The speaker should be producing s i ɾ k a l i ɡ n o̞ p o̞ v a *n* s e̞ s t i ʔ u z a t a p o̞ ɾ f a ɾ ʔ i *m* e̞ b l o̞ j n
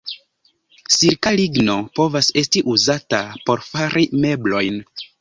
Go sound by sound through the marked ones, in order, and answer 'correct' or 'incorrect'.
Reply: incorrect: none, correct

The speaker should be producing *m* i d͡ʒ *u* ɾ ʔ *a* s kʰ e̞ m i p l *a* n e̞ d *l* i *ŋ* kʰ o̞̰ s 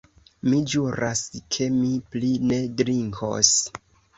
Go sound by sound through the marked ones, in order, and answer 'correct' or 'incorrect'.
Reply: correct, correct, correct, incorrect: i, incorrect: ɾ, correct

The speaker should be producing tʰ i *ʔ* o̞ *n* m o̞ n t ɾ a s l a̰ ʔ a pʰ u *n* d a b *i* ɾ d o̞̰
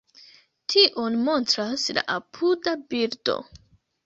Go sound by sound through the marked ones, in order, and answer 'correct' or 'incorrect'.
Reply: correct, correct, incorrect: none, correct

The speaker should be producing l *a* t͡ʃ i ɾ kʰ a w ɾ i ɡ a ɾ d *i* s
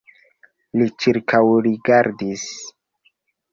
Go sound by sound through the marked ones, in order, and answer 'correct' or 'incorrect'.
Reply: incorrect: i, correct

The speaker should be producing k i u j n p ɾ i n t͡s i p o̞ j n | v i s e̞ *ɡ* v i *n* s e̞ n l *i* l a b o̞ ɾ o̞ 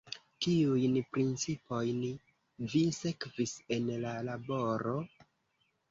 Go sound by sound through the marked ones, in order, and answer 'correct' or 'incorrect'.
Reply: incorrect: k, incorrect: none, incorrect: a

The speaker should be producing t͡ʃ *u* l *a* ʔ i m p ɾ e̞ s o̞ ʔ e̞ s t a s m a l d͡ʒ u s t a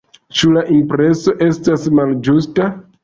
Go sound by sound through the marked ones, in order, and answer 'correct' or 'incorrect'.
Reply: correct, correct

